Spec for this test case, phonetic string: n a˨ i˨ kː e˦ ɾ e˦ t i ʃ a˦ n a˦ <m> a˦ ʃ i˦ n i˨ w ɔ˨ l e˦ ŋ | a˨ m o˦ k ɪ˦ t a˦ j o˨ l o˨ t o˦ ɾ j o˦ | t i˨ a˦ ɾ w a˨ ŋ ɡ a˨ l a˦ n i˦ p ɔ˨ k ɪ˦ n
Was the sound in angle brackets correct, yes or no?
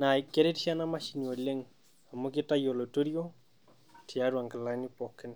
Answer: yes